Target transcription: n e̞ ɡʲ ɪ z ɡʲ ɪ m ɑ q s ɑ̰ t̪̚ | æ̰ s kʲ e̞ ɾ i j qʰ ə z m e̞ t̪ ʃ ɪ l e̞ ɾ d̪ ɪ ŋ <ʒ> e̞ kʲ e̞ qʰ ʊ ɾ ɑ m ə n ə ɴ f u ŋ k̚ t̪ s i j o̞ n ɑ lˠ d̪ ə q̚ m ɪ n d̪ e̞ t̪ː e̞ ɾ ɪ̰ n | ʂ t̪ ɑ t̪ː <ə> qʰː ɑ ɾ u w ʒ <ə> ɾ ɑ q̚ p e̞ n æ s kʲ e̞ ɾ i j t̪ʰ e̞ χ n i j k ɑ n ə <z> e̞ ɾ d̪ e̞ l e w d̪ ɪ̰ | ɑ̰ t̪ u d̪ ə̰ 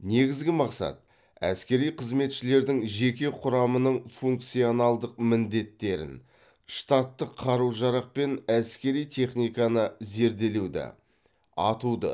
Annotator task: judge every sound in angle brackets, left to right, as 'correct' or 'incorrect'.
correct, correct, incorrect: ɑ, correct

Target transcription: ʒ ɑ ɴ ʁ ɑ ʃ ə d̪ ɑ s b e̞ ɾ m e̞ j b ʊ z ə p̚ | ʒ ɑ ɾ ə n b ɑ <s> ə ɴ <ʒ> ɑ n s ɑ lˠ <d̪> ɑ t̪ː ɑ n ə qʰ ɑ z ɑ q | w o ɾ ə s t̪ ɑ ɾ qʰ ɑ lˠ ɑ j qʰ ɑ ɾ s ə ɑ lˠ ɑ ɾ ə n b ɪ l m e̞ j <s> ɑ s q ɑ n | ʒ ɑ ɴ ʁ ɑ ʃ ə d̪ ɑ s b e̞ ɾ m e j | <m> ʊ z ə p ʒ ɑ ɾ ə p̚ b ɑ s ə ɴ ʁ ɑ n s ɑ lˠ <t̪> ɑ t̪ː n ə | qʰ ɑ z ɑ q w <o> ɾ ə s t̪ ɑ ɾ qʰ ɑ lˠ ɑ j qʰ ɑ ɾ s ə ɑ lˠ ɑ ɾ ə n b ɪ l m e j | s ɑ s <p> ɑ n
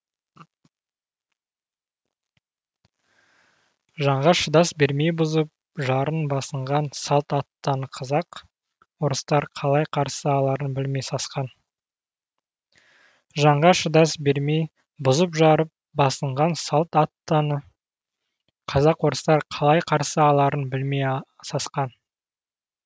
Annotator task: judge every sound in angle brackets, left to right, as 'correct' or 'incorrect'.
correct, incorrect: ʁ, incorrect: t̪, correct, incorrect: b, correct, correct, incorrect: q

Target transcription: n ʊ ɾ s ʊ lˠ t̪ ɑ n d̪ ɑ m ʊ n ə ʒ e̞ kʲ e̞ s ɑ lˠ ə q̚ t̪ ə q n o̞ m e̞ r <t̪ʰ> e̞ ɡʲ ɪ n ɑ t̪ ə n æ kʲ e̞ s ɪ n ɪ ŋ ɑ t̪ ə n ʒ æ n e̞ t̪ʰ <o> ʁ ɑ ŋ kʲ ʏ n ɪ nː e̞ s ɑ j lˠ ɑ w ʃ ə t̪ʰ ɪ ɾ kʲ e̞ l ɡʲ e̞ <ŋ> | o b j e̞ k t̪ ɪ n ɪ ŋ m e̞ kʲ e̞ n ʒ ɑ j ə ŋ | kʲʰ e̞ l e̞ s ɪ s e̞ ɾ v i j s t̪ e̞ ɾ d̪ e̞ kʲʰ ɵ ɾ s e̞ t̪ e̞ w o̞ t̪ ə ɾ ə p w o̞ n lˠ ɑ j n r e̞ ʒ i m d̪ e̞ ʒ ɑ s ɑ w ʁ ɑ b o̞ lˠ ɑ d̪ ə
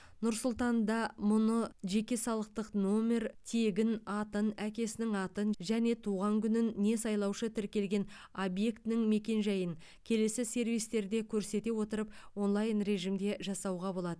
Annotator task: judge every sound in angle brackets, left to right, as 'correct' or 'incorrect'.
correct, incorrect: u, incorrect: n

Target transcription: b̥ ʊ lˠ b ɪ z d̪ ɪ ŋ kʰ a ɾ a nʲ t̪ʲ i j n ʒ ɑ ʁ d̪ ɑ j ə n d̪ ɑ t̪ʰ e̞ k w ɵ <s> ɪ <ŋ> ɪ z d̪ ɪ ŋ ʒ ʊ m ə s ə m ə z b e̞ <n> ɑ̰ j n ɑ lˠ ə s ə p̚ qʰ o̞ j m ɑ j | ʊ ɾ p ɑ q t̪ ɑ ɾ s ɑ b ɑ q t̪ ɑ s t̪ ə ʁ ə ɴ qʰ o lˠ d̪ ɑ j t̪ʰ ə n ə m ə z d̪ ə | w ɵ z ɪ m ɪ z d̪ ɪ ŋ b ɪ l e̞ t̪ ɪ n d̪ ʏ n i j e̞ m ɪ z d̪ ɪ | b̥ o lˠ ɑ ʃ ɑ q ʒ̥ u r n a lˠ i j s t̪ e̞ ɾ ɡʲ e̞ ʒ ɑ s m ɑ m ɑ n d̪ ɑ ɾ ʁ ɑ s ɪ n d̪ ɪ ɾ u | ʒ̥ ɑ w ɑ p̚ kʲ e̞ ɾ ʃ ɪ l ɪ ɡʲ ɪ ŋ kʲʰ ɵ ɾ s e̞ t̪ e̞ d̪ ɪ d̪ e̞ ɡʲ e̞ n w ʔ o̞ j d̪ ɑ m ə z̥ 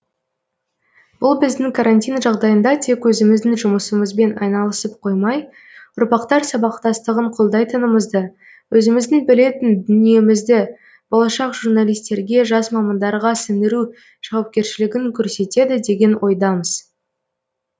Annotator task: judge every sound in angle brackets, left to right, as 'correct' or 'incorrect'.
incorrect: z, incorrect: m, correct

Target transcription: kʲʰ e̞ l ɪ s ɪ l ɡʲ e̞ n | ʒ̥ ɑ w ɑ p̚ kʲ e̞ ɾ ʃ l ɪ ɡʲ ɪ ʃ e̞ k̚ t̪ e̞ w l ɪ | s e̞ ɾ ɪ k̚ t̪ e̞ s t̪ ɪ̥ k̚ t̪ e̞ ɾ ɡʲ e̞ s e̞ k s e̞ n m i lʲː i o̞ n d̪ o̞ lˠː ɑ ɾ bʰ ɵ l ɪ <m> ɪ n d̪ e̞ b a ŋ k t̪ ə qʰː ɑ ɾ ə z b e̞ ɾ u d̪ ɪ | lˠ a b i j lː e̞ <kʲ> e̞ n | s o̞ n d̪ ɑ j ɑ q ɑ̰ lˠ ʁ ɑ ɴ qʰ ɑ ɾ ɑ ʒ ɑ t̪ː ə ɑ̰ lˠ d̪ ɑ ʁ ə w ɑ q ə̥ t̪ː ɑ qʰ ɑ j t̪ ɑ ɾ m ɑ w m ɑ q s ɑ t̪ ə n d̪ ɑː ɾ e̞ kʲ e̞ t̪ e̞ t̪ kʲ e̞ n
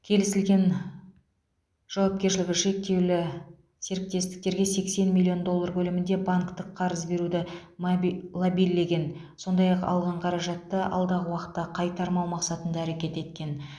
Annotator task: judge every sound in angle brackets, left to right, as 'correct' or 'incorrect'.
correct, incorrect: ɡʲ

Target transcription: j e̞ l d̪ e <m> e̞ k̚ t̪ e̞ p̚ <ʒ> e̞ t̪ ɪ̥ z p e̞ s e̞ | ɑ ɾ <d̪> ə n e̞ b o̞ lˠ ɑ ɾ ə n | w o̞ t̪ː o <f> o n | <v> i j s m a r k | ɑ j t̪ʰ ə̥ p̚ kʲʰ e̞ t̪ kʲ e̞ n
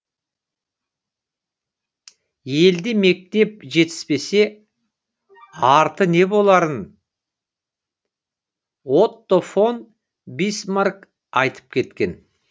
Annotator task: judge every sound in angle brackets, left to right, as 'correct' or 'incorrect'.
correct, correct, incorrect: t̪, correct, incorrect: b

